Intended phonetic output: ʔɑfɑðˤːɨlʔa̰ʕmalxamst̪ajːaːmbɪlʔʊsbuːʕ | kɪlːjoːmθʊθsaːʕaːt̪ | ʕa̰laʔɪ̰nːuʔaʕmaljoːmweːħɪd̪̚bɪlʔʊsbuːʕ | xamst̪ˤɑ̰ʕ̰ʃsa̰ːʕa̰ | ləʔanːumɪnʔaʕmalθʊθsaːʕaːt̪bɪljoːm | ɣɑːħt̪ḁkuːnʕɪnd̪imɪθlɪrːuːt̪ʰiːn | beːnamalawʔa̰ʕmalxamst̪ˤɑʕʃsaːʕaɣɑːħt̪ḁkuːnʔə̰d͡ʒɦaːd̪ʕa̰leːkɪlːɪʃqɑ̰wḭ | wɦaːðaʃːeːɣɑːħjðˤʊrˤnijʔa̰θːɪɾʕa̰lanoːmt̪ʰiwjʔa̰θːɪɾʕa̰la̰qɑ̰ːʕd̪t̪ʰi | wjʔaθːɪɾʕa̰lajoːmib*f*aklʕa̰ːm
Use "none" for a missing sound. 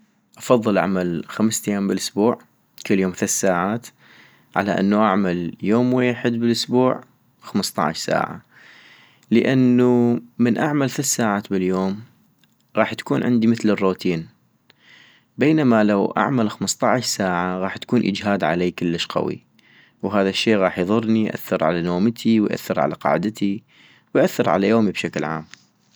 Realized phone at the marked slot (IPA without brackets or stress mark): ʃ